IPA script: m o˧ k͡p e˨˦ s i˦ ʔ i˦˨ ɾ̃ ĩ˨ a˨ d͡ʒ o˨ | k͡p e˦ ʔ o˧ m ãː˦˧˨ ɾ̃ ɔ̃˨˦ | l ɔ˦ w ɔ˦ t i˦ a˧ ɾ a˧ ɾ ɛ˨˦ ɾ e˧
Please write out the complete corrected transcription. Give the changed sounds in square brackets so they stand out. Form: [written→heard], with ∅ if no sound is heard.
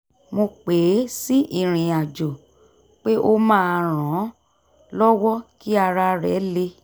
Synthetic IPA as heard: m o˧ k͡p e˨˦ s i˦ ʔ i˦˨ ɾ̃ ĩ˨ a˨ d͡ʒ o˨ | k͡p e˦ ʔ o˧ m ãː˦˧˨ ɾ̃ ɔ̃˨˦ | l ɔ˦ w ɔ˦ [t→k] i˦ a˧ ɾ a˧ ɾ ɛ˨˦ [ɾ→l] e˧

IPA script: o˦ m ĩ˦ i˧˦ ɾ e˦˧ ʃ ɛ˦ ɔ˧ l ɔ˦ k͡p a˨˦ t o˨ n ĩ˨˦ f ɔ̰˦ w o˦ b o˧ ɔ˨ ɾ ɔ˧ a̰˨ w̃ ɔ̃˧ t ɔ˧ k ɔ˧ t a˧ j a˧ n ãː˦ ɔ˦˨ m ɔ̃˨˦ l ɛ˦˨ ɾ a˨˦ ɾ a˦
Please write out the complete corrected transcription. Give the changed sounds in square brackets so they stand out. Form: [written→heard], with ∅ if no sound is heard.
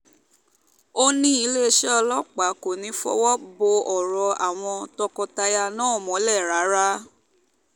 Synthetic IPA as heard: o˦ [m→n] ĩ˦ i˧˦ [ɾ→l] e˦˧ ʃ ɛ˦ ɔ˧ l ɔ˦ k͡p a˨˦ [t→k] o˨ n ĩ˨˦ f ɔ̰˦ w [o˦→ɔ˦] b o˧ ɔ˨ ɾ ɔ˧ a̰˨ w̃ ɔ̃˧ t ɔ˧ k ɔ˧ t a˧ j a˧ n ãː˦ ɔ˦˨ m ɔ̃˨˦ l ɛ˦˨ ɾ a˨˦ ɾ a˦

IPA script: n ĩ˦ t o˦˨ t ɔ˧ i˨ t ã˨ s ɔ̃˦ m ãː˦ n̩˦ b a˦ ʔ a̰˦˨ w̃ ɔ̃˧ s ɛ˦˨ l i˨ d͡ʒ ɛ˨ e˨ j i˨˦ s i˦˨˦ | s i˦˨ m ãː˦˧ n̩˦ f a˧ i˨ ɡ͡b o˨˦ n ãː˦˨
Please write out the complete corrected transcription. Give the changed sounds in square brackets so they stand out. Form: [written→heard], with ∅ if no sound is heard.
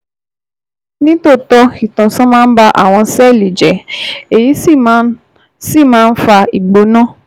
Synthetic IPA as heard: n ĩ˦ t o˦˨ t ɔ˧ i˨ t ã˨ s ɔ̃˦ m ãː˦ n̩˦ b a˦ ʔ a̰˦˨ w̃ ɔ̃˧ s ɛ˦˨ l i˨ d͡ʒ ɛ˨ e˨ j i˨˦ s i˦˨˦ | s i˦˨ m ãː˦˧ n̩˦ f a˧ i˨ ɡ͡b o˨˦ n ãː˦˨

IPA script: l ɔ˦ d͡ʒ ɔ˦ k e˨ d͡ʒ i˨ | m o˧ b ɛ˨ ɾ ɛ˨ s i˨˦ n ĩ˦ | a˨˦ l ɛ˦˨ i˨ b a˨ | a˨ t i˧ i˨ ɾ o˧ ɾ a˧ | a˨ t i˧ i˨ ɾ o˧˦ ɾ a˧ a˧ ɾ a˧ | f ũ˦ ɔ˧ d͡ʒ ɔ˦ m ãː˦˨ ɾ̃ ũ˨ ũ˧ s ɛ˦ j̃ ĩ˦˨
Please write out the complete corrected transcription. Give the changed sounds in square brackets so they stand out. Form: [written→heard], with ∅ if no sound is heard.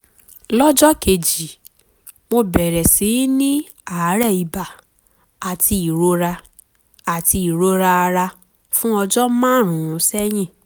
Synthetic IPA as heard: l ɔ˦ d͡ʒ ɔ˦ k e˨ d͡ʒ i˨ | m o˧ b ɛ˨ ɾ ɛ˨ s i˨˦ n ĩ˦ | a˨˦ [l→ɾ] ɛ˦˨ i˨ b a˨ | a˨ t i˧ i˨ ɾ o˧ ɾ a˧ | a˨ t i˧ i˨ ɾ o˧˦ ɾ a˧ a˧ ɾ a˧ | f ũ˦ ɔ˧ d͡ʒ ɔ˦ m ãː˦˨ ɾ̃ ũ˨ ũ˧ s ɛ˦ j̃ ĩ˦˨

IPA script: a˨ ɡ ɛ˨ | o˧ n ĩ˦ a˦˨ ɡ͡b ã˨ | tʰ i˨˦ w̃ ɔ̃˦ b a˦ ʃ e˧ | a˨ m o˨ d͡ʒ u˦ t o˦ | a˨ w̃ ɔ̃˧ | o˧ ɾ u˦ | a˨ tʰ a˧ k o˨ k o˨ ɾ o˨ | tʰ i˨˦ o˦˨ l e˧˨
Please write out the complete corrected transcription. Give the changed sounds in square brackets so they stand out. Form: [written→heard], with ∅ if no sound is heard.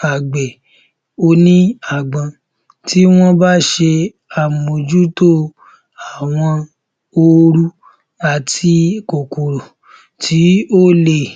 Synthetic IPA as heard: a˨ [ɡ→ɡ͡b] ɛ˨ | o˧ n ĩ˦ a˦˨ ɡ͡b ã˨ | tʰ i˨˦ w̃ ɔ̃˦ b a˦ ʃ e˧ | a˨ m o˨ d͡ʒ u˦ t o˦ | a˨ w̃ ɔ̃˧ | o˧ ɾ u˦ | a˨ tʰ [a˧→i˧] k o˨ k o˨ ɾ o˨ | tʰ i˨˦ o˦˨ l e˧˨

